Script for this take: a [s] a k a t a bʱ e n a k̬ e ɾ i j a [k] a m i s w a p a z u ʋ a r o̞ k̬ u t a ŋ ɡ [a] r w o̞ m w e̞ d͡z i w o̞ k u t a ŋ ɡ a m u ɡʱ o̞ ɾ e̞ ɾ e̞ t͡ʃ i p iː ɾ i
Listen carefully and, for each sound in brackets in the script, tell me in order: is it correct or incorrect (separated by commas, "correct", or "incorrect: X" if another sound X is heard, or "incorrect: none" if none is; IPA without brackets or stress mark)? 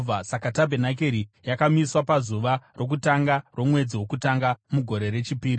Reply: correct, correct, correct